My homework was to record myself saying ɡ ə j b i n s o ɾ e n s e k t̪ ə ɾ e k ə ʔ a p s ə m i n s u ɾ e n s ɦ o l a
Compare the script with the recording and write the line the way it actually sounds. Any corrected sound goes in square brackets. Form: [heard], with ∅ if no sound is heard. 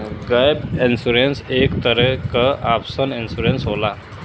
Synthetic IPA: ɡ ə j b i n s [u] ɾ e n s e k t̪ ə ɾ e k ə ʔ a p s ə [n] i n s u ɾ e n s ɦ o l a